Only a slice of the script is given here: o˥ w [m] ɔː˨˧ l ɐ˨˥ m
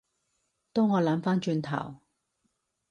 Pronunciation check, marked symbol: incorrect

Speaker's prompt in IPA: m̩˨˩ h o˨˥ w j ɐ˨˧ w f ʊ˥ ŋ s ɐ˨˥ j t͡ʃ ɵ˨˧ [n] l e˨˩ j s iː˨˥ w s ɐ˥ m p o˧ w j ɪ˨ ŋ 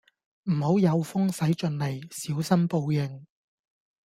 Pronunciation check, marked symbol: correct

